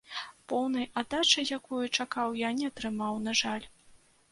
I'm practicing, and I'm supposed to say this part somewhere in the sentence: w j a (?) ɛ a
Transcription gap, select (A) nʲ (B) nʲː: A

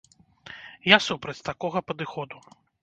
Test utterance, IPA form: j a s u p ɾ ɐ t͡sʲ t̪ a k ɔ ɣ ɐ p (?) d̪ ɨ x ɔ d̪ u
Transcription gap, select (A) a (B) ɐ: B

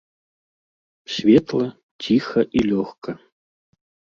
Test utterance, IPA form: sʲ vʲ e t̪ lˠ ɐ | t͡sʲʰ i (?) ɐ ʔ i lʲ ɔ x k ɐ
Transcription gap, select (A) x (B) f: A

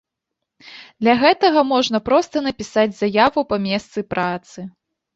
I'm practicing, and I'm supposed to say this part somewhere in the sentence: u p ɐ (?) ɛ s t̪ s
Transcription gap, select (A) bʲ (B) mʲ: B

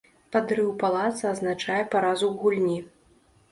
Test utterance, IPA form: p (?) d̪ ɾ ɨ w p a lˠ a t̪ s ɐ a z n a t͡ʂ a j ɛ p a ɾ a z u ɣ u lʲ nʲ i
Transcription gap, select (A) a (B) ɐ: A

